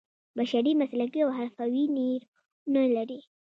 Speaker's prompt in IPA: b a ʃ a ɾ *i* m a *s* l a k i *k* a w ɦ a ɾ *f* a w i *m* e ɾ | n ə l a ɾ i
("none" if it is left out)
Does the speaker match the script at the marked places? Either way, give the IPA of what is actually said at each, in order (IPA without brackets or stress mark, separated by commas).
i, s, none, f, n